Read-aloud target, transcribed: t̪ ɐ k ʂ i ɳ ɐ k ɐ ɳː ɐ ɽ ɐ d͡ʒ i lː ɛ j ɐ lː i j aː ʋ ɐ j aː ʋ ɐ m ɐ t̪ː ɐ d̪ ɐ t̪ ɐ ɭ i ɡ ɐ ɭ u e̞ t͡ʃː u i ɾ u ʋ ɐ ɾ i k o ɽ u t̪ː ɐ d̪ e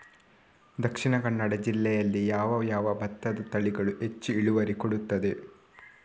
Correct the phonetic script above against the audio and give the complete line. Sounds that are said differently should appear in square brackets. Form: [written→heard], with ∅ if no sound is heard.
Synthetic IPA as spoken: [t̪→d̪] ɐ k ʂ i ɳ ɐ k ɐ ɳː ɐ ɽ ɐ d͡ʒ i lː ɛ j ɐ lː i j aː ʋ ɐ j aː ʋ ɐ [m→b] ɐ t̪ː ɐ d̪ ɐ t̪ ɐ ɭ i ɡ ɐ ɭ u e̞ t͡ʃː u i [ɾ→ɭ] u ʋ ɐ ɾ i k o ɽ u t̪ː ɐ d̪ e